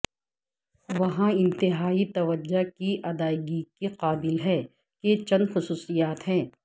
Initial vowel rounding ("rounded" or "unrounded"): unrounded